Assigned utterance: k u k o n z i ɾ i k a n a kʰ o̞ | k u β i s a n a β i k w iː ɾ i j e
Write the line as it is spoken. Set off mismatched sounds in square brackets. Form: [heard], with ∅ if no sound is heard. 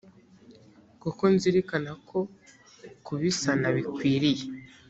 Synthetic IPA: k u k o n z i ɾ i k a n a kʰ o̞ | k u β i s a n a β i k w iː ɾ i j e